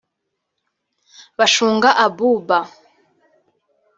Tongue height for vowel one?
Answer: low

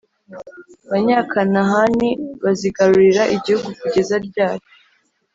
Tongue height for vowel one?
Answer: low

